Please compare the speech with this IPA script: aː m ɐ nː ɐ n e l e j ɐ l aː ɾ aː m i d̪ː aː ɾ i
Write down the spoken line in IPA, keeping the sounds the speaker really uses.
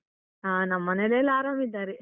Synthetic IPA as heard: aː n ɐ mː ɐ n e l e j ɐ l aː ɾ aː m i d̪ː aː ɾ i